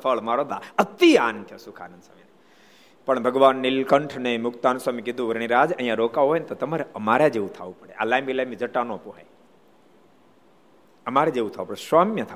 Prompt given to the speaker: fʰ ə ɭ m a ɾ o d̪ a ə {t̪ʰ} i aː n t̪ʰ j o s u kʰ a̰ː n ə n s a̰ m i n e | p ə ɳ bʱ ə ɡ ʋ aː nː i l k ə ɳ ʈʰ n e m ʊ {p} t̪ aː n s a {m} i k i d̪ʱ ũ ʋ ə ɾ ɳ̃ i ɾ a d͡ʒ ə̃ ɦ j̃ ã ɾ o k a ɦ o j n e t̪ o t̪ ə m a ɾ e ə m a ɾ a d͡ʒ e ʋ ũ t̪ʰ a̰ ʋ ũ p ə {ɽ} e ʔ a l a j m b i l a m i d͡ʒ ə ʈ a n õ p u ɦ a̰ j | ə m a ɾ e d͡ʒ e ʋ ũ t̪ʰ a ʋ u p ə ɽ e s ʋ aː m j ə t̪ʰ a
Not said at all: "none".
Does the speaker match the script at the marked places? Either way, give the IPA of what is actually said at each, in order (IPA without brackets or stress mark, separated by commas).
t̪, k, m, ɽ